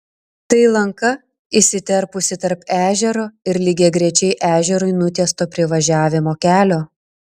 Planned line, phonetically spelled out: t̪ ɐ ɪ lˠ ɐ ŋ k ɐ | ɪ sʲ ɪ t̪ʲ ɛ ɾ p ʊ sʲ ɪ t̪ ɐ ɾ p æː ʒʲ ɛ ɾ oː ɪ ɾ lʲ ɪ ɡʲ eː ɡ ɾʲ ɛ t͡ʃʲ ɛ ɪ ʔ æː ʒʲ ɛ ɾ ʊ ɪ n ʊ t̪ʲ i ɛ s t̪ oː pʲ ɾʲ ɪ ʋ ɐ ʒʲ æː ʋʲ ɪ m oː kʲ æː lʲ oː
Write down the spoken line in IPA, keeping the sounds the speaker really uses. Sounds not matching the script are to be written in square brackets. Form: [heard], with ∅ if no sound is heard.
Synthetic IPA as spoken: t̪ ɐ ɪ lˠ ɐ ŋ k ɐ | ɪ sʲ ɪ t̪ʲ ɛ ɾ p ʊ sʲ ɪ t̪ ɐ ɾ p æː ʒʲ ɛ ɾ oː ɪ ɾ lʲ ɪ ɡʲ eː ɡ ɾʲ ɛ t͡ʃʲ ɛ ɪ ʔ æː ʒʲ ɛ ɾ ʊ ɪ n ʊ t̪ʲ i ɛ s t̪ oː pʲ ɾʲ ɪ ʋ ɐ ʒʲ æː ʋʲ ɪ m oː kʲ æː lʲ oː

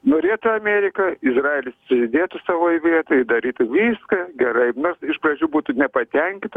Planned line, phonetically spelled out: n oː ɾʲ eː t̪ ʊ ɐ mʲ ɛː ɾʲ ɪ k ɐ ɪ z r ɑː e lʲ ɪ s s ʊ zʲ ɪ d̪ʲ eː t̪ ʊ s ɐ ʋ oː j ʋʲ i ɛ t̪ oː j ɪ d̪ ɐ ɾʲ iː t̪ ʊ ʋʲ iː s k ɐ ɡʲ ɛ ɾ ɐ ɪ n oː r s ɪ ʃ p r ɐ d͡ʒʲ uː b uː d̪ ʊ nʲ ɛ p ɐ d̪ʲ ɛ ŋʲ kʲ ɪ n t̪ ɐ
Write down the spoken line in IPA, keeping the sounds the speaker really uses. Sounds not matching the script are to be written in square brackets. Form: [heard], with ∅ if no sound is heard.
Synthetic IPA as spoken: n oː ɾʲ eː t̪ ʊ ɐ mʲ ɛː ɾʲ ɪ k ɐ ɪ z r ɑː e lʲ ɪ s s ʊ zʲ ɪ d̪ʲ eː t̪ ʊ s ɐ ʋ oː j ʋʲ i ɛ t̪ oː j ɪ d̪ ɐ ɾʲ iː t̪ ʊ ʋʲ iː s k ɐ ɡʲ ɛ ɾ ɐ ɪ n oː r s ɪ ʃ p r ɐ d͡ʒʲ uː b uː [t̪] ʊ nʲ ɛ p ɐ [t̪ʲ] ɛ ŋʲ kʲ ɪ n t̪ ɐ

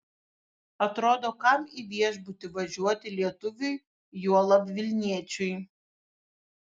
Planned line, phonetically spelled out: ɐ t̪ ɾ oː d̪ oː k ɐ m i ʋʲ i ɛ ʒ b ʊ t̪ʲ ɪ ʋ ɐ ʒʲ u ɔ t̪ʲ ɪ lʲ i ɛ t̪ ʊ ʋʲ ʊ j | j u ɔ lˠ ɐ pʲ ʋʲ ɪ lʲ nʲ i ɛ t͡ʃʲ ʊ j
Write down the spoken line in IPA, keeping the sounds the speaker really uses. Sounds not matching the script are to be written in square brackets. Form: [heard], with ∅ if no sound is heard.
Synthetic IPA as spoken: ɐ t̪ ɾ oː d̪ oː k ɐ m i ʋʲ i ɛ ʒ b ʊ t̪ʲ ɪ ʋ ɐ ʒʲ u ɔ t̪ʲ ɪ lʲ i ɛ t̪ ʊ ʋʲ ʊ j | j u ɔ lˠ ɐ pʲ ʋʲ ɪ lʲ nʲ i ɛ t͡ʃʲ ʊ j

